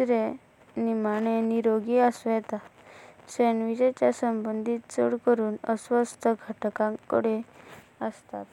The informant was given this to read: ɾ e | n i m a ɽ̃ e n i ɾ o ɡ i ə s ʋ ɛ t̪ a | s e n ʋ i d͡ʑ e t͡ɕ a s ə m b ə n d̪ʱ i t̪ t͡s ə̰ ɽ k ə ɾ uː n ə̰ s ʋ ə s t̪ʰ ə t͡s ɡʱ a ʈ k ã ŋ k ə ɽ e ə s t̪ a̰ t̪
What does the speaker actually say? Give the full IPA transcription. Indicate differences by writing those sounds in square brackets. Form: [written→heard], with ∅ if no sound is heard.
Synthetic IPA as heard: ɾ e | n i m a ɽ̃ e n i ɾ o ɡ i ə s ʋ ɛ t̪ a | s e n ʋ i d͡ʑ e t͡ɕ a s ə m b ə n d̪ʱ i t̪ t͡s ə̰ ɽ k ə ɾ uː n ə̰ s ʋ ə s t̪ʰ ə [t͡s→∅] ɡʱ a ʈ k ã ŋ k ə ɽ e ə s t̪ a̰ t̪